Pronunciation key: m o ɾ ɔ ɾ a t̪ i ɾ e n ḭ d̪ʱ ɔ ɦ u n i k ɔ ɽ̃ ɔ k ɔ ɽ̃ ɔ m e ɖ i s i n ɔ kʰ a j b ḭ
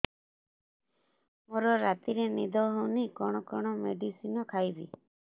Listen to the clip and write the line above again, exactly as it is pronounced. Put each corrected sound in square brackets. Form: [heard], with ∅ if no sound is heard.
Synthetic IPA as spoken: m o ɾ ɔ ɾ a t̪ i ɾ e n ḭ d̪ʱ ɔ ɦ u n i k ɔ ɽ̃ ɔ k ɔ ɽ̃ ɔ m e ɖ i s i n ɔ kʰ a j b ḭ